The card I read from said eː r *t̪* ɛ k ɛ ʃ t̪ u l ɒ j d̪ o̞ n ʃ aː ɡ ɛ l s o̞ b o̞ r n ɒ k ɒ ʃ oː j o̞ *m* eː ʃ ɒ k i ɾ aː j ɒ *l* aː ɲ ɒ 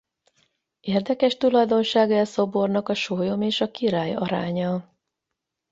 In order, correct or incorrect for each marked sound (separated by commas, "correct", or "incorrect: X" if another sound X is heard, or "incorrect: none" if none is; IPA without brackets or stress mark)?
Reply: incorrect: d̪, correct, incorrect: ɾ